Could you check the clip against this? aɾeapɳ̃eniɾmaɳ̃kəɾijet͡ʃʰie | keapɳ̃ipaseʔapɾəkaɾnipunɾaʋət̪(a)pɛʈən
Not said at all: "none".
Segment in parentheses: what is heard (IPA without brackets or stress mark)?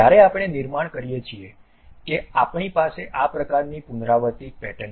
i